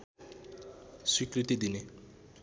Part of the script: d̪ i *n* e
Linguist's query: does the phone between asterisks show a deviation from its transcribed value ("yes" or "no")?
no